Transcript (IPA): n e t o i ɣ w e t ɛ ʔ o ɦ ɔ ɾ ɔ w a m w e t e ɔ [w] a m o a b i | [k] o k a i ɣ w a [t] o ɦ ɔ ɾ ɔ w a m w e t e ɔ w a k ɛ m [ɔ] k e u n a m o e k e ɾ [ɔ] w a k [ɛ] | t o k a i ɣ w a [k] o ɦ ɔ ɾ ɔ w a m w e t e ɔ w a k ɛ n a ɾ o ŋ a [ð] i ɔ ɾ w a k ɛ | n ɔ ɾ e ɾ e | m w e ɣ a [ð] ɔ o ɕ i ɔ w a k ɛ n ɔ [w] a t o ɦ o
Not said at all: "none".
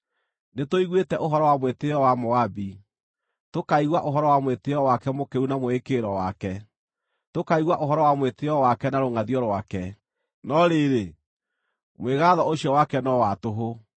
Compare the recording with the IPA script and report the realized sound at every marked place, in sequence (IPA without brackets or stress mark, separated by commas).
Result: w, t, ʔ, o, ɔ, ɛ, ʔ, ð, ð, w